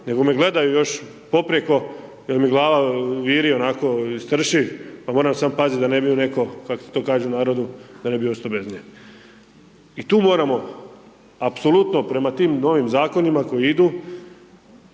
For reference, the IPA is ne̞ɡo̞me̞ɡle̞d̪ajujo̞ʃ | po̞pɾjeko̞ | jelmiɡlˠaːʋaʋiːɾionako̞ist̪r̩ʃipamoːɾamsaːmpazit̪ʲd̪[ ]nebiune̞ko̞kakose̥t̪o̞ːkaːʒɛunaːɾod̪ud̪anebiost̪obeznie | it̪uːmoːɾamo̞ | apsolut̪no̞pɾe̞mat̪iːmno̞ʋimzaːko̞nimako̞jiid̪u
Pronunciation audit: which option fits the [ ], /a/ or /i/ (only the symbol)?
a